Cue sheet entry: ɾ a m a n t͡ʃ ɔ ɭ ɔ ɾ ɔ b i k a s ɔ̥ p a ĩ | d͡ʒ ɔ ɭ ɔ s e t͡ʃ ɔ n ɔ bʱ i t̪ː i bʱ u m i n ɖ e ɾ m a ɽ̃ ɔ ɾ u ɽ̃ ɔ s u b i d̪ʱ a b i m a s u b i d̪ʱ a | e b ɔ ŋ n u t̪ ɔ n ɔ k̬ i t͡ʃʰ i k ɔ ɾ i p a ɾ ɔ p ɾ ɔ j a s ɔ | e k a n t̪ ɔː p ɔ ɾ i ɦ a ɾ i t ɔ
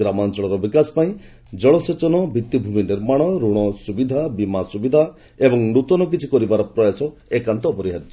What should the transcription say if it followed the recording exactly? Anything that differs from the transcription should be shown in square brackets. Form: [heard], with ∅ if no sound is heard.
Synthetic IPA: ɾ a m a n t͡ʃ ɔ ɭ ɔ ɾ ɔ b i k a s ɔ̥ p a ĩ | d͡ʒ ɔ ɭ ɔ s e t͡ʃ ɔ n ɔ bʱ i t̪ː i bʱ u m i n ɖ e ɾ m a ɽ̃ ɔ ɾ u ɽ̃ ɔ s u b i d̪ʱ a b i m a s u b i d̪ʱ a | e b ɔ ŋ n u t̪ ɔ n ɔ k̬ i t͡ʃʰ i k ɔ ɾ i [b] a ɾ ɔ p ɾ ɔ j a s ɔ | e k a n t̪ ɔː p ɔ ɾ i ɦ a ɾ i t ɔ

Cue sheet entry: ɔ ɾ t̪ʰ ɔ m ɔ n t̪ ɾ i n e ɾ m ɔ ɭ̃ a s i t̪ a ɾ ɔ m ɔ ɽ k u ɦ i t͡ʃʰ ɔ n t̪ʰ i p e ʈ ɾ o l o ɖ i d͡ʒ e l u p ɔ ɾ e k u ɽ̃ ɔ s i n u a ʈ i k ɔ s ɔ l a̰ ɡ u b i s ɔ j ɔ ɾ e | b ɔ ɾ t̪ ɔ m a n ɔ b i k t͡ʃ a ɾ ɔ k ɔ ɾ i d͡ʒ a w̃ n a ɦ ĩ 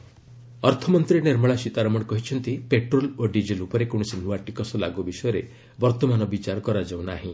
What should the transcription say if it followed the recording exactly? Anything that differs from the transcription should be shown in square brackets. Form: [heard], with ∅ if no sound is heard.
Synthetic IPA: ɔ ɾ t̪ʰ ɔ m ɔ n t̪ ɾ i n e ɾ m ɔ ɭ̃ a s i t̪ a ɾ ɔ m ɔ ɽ k [ɔ] ɦ i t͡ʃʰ ɔ n [t̪] i p e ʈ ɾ o l o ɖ i d͡ʒ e l u p ɔ ɾ e k [o] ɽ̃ ɔ s i n u a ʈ i k ɔ s ɔ l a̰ ɡ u b i s ɔ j ɔ ɾ e | b ɔ ɾ t̪ ɔ m a n ɔ b i [∅] t͡ʃ a ɾ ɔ k ɔ ɾ [a] d͡ʒ a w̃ n a ɦ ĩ

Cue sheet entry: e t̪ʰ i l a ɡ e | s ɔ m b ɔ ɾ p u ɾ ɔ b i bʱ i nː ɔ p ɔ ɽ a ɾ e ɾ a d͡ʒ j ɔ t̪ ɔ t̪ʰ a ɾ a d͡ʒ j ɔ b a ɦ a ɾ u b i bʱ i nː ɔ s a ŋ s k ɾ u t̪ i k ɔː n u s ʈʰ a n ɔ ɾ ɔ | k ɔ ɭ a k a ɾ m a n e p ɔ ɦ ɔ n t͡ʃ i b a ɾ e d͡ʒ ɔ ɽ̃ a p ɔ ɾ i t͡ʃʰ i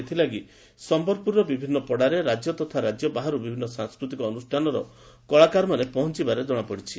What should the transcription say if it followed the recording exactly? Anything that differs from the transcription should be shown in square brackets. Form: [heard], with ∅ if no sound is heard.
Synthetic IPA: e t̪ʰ i l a ɡ [i] | s ɔ m b ɔ ɾ p u ɾ ɔ b i bʱ i nː ɔ p ɔ ɽ a ɾ e ɾ a d͡ʒ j ɔ t̪ ɔ t̪ʰ a ɾ a d͡ʒ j ɔ b a ɦ a ɾ u b i bʱ i nː ɔ s a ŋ s k ɾ u t̪ i k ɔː n u s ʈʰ a n ɔ ɾ ɔ | k ɔ ɭ a k a ɾ m a n e p ɔ ɦ ɔ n t͡ʃ i b a ɾ e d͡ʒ ɔ ɽ̃ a p ɔ [ɽ] i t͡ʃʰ i

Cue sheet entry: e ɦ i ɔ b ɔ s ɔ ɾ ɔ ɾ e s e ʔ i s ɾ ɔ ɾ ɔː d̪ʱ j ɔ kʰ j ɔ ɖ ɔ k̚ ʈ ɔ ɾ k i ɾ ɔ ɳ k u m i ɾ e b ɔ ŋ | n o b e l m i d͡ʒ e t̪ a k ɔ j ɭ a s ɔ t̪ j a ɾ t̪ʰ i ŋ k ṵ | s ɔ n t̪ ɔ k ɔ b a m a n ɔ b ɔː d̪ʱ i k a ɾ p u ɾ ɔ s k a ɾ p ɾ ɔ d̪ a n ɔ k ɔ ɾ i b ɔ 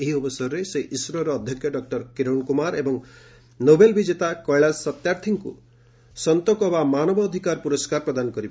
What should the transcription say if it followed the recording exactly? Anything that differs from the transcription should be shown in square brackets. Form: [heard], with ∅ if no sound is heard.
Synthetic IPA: e ɦ i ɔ b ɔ s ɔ ɾ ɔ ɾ e s e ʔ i s ɾ ɔ ɾ ɔː d̪ʱ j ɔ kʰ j ɔ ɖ ɔ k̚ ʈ ɔ ɾ k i ɾ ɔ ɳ k u m [a] ɾ e b ɔ ŋ | n o b e l [b] i d͡ʒ e t̪ a k ɔ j ɭ a s ɔ t̪ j a ɾ t̪ʰ i ŋ k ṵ | s ɔ n t̪ ɔ k ɔ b a m a n ɔ b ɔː d̪ʱ i k a ɾ p u ɾ ɔ s k a ɾ p ɾ ɔ d̪ a n ɔ k ɔ ɾ i b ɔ

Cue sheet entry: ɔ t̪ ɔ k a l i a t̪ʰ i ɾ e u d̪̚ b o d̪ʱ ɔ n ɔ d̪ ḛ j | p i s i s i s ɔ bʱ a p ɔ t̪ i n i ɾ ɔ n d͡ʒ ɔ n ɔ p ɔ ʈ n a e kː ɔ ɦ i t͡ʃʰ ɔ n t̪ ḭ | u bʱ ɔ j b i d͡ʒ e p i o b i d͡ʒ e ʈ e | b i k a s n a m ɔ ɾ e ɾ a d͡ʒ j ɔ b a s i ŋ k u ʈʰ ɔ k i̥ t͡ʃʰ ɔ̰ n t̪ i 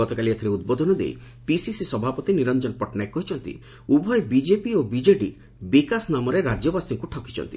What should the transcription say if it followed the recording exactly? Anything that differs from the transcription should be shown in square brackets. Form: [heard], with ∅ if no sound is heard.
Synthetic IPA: ɔ t̪ ɔ k a l i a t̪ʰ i ɾ e u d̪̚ b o d̪ʱ ɔ n ɔ d̪ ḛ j | p i s i s i s ɔ bʱ a p ɔ t̪ i n i ɾ ɔ n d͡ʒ ɔ n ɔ p ɔ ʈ n a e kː ɔ ɦ i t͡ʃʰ ɔ n t̪ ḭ | u bʱ ɔ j b i d͡ʒ e p i o b i d͡ʒ e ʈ [i] | b i k a s n a m ɔ ɾ e ɾ a d͡ʒ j ɔ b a s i ŋ k u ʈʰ ɔ k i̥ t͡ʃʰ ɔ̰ n t̪ i

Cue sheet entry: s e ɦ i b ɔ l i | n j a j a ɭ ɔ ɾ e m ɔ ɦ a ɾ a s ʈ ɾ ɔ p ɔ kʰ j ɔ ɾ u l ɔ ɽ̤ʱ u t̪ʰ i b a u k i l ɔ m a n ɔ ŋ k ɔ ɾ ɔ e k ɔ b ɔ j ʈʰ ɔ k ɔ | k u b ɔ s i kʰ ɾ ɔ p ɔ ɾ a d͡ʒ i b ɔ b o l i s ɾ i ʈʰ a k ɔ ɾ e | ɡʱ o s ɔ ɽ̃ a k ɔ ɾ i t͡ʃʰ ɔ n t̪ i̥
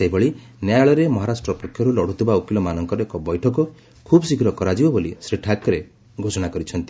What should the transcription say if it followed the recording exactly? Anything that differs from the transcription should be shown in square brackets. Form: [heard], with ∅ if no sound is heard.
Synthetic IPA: s e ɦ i b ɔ [ɭ] i | n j a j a ɭ ɔ ɾ e m ɔ ɦ a ɾ a s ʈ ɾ ɔ p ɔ kʰ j ɔ ɾ u l ɔ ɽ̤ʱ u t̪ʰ i b a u k i l ɔ m a n ɔ ŋ k ɔ ɾ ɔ e k ɔ b ɔ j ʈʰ ɔ k ɔ | [kʰ] u b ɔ s i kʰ ɾ ɔ [k] ɔ ɾ a d͡ʒ i b ɔ b o l i s ɾ i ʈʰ a k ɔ ɾ e | ɡʱ o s ɔ ɽ̃ a k ɔ ɾ i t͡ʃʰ ɔ n t̪ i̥

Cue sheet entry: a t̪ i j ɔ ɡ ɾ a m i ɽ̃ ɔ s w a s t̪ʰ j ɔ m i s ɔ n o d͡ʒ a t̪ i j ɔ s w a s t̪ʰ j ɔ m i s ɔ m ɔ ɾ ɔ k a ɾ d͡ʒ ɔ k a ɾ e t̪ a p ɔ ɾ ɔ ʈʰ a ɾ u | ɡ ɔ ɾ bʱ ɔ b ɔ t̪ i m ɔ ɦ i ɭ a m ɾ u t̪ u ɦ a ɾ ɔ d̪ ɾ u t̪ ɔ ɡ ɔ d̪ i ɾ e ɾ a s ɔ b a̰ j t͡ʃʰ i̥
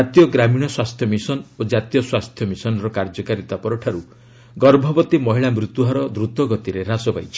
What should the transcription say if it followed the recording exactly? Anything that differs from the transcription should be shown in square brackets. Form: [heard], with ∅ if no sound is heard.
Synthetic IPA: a t̪ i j ɔ ɡ ɾ a m i ɽ̃ ɔ s w a s t̪ʰ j ɔ m i s ɔ n o d͡ʒ a t̪ i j ɔ s w a s t̪ʰ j ɔ m i s ɔ [n] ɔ ɾ ɔ k a ɾ d͡ʒ ɔ k a ɾ [i] t̪ a p ɔ ɾ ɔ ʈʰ a ɾ u | ɡ ɔ ɾ bʱ ɔ b ɔ t̪ i m ɔ ɦ i ɭ a m ɾ u t̪ u ɦ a ɾ ɔ d̪ ɾ u t̪ ɔ ɡ ɔ [t̪] i ɾ e ɾ a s ɔ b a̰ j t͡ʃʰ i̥

